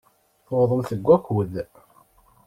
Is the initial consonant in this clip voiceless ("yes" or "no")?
yes